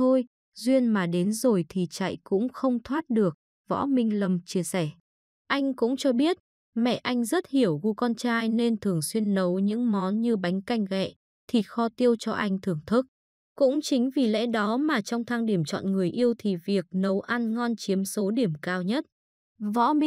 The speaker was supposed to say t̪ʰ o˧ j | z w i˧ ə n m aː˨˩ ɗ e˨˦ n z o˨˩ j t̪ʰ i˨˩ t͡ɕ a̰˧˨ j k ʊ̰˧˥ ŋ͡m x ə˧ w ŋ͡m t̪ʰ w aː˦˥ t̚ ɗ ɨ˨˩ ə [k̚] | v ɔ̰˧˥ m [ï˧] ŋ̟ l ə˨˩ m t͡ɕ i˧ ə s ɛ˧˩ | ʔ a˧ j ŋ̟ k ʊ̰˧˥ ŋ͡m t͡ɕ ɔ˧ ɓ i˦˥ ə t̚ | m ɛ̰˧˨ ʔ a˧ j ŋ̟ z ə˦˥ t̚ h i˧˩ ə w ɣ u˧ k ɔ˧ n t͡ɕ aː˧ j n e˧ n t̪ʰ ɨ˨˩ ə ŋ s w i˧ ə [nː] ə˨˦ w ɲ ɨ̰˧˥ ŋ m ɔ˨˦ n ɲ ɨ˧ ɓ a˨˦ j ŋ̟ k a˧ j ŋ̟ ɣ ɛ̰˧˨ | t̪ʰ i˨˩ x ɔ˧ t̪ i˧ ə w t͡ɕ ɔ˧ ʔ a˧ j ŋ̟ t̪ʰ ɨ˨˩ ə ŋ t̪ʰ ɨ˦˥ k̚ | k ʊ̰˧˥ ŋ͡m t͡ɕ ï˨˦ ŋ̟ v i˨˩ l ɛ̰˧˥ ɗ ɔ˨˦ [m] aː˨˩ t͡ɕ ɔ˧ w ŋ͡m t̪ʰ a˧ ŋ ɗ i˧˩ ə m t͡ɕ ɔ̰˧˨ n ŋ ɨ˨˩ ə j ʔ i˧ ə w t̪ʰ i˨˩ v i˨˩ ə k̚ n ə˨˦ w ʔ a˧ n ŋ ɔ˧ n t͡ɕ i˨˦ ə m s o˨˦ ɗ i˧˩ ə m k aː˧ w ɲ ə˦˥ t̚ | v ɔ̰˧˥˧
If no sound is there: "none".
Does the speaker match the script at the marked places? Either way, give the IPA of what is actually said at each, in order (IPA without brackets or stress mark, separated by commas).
k̚, ï˧, nː, m